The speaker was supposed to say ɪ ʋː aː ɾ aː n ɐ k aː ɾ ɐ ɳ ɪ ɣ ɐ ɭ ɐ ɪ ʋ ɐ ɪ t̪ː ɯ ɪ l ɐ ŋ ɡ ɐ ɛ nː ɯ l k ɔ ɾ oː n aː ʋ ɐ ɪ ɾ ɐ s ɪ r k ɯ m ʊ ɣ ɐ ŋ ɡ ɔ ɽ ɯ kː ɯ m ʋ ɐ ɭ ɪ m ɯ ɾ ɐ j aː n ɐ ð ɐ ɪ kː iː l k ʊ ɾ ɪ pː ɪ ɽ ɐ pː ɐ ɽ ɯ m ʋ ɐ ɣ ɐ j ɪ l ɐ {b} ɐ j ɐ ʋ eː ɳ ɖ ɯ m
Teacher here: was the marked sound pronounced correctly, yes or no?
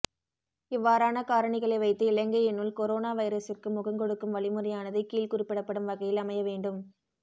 no